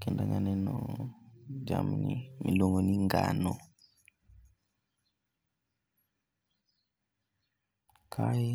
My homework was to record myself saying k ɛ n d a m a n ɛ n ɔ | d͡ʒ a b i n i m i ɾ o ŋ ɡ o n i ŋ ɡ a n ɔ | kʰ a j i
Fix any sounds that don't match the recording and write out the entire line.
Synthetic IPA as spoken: k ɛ n d a ŋ a n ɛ n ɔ | d͡ʒ a m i n i m i l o ŋ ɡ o n i ŋ ɡ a n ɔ | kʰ a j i